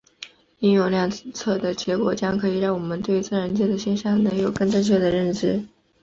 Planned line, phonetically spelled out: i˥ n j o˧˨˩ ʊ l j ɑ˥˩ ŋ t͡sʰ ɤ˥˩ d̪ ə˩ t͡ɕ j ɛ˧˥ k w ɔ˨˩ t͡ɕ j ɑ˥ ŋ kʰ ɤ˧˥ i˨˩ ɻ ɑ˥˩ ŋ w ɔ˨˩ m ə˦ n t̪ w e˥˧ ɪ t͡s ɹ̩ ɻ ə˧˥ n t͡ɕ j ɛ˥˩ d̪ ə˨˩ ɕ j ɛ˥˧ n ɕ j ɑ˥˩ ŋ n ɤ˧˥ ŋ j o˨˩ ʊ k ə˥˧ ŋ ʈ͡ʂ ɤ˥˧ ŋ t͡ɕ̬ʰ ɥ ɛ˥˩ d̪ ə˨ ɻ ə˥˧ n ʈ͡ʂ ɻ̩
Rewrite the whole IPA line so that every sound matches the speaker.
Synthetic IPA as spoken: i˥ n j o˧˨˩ ʊ l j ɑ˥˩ ŋ t͡sʰ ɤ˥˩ d̪ ə˩ t͡ɕ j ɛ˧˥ k w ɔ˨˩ t͡ɕ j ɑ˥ ŋ kʰ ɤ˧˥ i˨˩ ɻ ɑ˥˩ ŋ w ɔ˨˩ m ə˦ n t̪ w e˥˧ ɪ t͡s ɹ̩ ɻ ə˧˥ n t͡ɕ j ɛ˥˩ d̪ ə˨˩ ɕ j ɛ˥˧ n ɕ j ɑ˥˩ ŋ n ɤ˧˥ ŋ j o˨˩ ʊ k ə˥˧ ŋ ʈ͡ʂ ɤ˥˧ ŋ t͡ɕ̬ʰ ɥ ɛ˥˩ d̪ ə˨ ɻ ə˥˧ n ʈ͡ʂ ɻ̩